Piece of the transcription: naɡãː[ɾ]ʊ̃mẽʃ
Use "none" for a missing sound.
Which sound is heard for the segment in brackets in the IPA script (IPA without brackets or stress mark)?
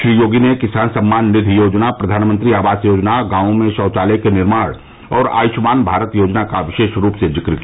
none